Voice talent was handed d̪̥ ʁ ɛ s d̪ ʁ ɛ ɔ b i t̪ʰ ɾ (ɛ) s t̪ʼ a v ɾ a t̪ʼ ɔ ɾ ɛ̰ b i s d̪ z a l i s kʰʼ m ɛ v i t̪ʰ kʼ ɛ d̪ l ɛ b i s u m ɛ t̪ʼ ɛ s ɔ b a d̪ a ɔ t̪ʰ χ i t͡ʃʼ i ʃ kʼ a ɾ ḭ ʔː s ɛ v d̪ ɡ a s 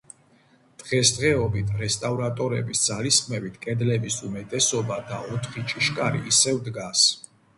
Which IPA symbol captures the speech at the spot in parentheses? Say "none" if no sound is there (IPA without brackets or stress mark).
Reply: ɛ